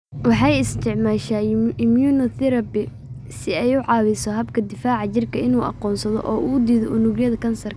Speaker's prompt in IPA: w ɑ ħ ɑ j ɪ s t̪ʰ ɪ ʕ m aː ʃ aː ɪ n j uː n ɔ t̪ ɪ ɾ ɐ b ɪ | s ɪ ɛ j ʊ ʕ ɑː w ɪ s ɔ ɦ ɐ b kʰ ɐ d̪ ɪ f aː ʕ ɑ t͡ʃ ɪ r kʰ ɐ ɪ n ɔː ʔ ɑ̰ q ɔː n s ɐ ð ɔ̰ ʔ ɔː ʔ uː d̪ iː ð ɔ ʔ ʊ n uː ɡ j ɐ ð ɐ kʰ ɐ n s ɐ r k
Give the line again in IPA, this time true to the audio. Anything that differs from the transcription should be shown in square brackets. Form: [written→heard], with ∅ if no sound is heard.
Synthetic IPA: w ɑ ħ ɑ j ɪ s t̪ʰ ɪ ʕ m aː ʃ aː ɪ [n→m] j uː n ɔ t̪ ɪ ɾ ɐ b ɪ | s ɪ ɛ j ʊ ʕ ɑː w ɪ s ɔ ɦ ɐ b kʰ ɐ d̪ ɪ f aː ʕ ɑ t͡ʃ ɪ r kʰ ɐ ɪ n [ɔː→uː] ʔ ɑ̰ q ɔː n s ɐ ð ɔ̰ ʔ ɔː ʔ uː d̪ iː ð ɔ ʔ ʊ n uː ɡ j ɐ ð ɐ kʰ ɐ n s ɐ r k